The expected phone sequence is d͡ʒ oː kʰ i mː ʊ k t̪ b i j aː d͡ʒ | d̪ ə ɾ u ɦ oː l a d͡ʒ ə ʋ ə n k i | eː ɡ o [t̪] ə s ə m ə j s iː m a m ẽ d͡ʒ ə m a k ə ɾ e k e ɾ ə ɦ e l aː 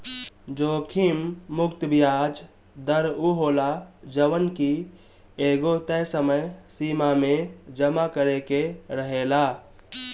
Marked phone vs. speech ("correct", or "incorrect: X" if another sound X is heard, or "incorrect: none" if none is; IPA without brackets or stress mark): correct